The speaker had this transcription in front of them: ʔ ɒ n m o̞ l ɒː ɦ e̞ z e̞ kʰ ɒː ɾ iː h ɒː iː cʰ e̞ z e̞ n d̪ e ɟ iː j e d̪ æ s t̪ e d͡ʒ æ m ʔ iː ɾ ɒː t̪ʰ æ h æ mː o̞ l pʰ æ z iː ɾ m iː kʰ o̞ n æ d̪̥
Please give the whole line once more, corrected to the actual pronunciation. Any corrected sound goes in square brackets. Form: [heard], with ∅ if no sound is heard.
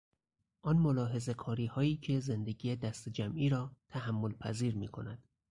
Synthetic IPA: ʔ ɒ n m o̞ l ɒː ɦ e̞ z e̞ kʰ ɒː ɾ iː h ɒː iː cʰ e̞ z e̞ n d̪ e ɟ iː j e d̪ æ s t̪ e d͡ʒ æ m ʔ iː ɾ ɒː t̪ʰ æ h æ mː o̞ l pʰ æ z iː ɾ m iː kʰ o̞ n æ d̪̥